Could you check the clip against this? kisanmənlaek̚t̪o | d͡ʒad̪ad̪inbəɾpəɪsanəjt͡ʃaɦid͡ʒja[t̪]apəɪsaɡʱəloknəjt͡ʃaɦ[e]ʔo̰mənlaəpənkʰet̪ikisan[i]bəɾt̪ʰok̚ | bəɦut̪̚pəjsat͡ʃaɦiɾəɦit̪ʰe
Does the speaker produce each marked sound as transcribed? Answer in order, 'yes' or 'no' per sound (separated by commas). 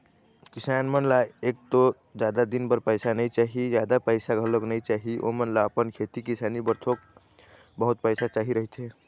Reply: no, no, yes